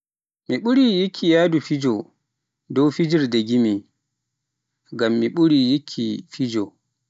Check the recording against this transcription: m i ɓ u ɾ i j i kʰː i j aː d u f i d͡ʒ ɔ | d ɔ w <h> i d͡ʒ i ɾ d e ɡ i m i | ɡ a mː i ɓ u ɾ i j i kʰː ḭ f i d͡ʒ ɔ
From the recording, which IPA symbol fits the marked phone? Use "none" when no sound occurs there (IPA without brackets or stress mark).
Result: f